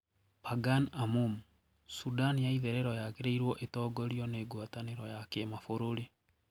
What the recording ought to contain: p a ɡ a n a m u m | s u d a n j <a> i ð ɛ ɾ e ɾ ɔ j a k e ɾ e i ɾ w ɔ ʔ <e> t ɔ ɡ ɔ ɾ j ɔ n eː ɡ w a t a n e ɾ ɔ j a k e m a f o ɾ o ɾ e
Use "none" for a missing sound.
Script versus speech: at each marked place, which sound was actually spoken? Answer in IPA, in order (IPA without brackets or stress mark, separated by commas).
a, e